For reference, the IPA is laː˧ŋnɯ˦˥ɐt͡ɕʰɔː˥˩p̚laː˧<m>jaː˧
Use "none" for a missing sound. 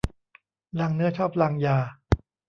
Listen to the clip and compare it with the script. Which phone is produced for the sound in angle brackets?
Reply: ŋ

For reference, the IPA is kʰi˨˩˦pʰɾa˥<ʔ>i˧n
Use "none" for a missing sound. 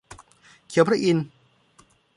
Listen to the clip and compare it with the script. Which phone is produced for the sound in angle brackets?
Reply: ʔ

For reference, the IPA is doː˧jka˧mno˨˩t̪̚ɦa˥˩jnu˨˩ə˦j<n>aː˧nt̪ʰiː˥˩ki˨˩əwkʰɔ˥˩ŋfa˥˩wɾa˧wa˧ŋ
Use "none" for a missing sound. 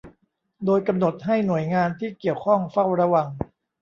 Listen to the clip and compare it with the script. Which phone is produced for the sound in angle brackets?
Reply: ŋ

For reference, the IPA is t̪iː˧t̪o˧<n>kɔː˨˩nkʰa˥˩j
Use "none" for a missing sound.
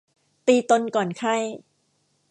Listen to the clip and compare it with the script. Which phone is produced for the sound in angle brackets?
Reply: n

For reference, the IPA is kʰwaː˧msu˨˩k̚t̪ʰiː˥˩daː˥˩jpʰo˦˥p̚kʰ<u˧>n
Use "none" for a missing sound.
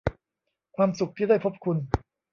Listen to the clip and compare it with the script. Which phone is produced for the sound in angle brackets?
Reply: u˧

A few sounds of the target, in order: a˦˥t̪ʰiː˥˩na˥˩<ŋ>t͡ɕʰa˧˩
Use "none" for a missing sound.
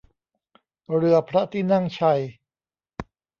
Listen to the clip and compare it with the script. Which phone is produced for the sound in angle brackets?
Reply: ŋ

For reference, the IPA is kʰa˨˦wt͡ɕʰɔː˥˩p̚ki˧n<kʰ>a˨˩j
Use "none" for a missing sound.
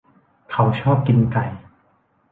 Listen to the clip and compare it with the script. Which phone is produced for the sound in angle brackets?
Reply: k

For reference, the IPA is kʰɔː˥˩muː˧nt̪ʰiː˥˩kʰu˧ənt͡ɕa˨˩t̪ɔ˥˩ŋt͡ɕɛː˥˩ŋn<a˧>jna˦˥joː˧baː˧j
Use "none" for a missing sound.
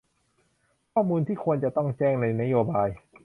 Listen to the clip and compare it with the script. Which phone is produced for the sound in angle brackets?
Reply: a˧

